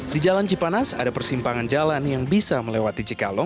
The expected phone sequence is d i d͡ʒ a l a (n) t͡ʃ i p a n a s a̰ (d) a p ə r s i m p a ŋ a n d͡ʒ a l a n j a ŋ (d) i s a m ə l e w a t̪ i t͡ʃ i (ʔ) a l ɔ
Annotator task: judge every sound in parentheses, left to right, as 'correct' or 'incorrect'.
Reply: correct, correct, incorrect: b, incorrect: k

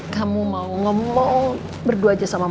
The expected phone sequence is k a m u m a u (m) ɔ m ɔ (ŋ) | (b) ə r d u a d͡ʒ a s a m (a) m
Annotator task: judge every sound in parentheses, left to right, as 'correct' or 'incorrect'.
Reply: incorrect: ŋ, correct, correct, correct

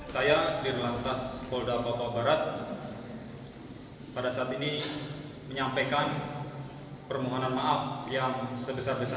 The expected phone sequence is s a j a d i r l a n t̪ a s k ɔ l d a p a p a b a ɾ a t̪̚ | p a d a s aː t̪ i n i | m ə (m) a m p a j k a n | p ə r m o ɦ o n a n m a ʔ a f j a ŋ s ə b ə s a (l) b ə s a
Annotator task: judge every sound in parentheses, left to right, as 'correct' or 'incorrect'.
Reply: incorrect: ɲ, incorrect: r

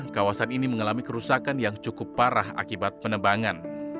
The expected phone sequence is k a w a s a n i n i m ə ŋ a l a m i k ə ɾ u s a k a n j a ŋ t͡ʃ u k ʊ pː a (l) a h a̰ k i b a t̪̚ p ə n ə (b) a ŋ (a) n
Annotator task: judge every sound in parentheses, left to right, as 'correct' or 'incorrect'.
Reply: incorrect: ɾ, correct, correct

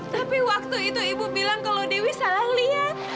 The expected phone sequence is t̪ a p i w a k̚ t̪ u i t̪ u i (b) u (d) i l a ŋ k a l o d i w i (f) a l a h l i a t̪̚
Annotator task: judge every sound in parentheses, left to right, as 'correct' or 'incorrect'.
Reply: correct, incorrect: b, incorrect: s

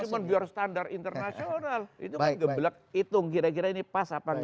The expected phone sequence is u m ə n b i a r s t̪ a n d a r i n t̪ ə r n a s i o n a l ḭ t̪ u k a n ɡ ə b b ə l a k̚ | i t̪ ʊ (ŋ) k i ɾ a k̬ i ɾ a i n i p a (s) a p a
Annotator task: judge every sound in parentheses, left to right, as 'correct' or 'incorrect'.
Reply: correct, correct

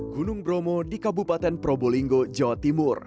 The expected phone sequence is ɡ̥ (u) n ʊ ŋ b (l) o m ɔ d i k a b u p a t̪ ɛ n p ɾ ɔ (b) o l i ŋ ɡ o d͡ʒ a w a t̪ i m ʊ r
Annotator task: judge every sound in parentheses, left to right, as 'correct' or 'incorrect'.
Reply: correct, incorrect: ɾ, correct

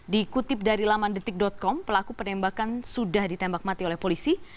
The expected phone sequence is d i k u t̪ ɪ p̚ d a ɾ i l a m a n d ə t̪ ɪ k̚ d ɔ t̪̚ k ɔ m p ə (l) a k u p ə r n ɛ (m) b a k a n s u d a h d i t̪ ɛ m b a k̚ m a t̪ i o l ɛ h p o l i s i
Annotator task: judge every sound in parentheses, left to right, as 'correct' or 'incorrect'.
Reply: correct, correct

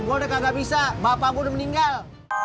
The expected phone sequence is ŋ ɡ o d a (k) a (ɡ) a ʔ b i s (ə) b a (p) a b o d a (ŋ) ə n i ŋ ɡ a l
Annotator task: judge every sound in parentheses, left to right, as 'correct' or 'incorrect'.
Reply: correct, correct, incorrect: a, correct, incorrect: m

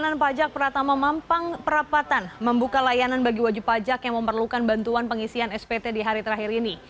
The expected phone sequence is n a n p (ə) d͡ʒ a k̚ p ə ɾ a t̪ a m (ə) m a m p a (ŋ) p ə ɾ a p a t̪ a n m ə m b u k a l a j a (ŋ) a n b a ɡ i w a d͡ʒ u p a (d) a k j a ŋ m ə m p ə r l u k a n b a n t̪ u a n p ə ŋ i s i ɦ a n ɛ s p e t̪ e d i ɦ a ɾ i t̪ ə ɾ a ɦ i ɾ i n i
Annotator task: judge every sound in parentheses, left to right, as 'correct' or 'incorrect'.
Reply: incorrect: a, incorrect: a, correct, incorrect: n, incorrect: d͡ʒ

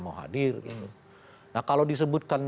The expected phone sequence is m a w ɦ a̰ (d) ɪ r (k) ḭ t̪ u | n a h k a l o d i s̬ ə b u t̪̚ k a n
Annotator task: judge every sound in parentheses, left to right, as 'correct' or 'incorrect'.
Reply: correct, incorrect: ɡ

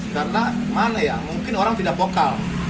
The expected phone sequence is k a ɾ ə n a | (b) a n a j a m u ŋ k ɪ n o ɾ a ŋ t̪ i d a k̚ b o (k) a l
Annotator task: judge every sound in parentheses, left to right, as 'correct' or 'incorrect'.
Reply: incorrect: m, correct

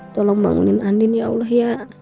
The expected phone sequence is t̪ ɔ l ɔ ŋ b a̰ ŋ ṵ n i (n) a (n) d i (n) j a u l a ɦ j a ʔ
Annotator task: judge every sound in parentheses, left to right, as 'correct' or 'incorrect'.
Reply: correct, correct, correct

